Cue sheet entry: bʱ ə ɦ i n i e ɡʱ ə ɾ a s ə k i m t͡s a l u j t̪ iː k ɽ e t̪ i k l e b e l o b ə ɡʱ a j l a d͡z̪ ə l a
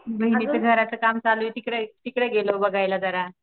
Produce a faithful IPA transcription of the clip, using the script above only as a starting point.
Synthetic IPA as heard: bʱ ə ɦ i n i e ɡʱ ə ɾ a t͡s ə k a m t͡s a l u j t̪ i k ɽ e t̪ i k ɽ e ɡ e l o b ə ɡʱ a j l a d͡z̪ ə ɾ a